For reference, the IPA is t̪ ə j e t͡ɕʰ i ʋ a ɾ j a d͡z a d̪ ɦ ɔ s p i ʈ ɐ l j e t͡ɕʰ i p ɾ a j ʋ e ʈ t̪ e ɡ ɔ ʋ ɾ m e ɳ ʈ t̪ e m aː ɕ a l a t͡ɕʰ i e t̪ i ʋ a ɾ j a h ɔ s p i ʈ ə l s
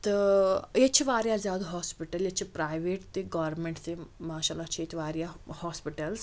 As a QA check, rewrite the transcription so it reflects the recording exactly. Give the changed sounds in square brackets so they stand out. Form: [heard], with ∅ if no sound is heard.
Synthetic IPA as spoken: t̪ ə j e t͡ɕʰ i ʋ a ɾ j a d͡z a d̪ ɦ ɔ s p i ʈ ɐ l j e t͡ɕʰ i p ɾ a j ʋ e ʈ t̪ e ɡ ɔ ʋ ɾ m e ɳ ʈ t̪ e m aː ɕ a l a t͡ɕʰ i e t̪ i ʋ a ɾ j a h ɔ s p i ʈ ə l s